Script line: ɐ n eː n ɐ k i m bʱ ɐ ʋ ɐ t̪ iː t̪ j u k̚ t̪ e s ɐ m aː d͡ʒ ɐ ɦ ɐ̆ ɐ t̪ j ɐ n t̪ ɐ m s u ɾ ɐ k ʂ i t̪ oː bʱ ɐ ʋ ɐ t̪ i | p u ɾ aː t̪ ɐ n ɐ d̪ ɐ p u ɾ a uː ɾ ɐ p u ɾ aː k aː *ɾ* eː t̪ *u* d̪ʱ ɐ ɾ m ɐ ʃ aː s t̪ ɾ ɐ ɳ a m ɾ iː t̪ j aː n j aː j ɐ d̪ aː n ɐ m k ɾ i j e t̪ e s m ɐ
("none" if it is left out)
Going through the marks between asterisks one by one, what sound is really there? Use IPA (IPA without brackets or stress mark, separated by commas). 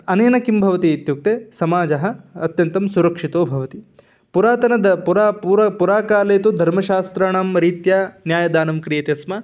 l, u